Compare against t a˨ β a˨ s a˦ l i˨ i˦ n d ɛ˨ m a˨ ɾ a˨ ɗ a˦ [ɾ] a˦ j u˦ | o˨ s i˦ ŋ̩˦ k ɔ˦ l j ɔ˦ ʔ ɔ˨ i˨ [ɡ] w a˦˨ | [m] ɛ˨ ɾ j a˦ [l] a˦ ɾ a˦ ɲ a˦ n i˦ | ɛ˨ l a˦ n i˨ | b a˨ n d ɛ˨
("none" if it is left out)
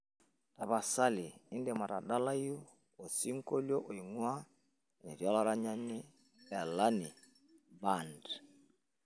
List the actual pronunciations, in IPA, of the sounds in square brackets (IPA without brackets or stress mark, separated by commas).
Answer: l, ŋ, n, l